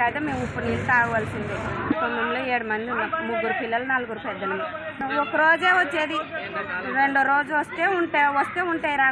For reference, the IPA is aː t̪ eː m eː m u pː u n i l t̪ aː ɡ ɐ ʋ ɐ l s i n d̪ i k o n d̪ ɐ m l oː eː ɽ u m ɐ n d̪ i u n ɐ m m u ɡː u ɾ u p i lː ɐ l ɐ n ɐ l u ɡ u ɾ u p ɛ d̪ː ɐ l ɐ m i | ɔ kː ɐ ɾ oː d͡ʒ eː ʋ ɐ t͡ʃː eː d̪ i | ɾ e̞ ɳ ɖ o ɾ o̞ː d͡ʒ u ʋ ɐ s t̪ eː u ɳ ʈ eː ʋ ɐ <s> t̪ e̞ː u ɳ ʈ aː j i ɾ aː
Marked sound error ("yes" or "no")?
no